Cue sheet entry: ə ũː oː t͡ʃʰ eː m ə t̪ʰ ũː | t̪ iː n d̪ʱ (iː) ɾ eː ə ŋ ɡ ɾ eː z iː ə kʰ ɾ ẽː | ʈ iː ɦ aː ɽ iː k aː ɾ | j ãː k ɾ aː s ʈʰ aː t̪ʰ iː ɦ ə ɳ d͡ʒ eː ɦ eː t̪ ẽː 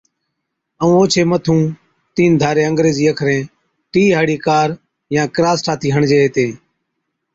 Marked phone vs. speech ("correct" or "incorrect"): incorrect